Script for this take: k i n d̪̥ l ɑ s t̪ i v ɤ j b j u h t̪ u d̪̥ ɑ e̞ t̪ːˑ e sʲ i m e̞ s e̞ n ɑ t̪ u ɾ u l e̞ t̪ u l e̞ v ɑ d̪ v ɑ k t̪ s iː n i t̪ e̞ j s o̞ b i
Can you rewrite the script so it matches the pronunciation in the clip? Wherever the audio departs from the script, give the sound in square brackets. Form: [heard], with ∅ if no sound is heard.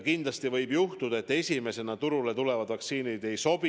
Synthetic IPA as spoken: k i n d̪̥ l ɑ s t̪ i v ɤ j b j u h t̪ u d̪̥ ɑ e̞ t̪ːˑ e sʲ i m e̞ s e̞ n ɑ t̪ u ɾ u l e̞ t̪ u l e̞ v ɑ d̪ v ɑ k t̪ s iː n i [d̪] e̞ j s o̞ b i